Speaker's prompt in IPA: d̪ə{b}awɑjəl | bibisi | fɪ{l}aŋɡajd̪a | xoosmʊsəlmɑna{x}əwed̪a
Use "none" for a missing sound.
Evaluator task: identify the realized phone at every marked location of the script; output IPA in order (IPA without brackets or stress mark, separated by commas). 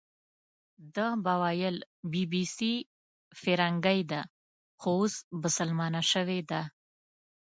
b, ɾ, ʃ